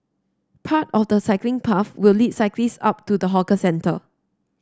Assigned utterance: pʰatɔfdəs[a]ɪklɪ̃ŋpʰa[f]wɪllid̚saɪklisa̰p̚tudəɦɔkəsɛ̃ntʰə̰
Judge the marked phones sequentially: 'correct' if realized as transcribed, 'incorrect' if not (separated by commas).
correct, correct